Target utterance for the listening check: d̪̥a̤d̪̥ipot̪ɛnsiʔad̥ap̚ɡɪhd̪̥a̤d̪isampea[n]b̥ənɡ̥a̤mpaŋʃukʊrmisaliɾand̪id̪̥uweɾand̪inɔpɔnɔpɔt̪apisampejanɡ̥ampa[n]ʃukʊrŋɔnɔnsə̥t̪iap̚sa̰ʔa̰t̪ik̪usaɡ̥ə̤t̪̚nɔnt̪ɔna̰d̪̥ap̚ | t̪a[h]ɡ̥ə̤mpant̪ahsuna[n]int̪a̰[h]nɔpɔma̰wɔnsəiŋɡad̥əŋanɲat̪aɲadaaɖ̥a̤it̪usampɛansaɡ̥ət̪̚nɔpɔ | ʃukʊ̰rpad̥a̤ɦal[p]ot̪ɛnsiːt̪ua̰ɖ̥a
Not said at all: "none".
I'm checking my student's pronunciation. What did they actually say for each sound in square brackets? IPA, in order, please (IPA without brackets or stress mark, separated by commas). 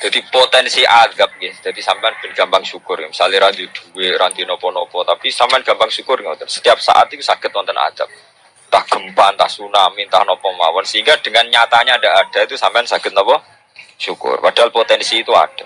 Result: n, ŋ, h, m, h, p